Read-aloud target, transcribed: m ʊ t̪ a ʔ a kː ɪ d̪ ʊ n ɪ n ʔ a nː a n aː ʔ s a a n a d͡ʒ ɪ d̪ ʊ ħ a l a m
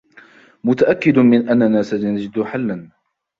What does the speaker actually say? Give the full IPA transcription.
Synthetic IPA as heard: m ʊ t̪ a ʔ a kː ɪ d̪ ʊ m ɪ n ʔ a nː a n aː s a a n a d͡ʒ ɪ d̪ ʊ ħ a lː a n